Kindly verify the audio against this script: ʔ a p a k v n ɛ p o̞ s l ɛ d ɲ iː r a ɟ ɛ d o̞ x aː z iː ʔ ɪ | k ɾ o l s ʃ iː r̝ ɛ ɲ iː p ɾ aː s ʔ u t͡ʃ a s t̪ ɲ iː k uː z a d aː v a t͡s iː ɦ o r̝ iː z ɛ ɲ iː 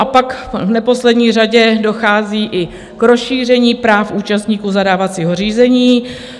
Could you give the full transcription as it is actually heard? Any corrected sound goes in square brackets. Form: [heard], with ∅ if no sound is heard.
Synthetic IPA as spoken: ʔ a p a k v n ɛ p o̞ s l ɛ d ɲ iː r a ɟ ɛ d o̞ x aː z iː ʔ ɪ | k ɾ o [∅] s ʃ iː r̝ ɛ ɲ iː p ɾ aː [f] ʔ [uː] t͡ʃ a s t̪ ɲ iː k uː z a d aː v a t͡s iː ɦ o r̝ iː z ɛ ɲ iː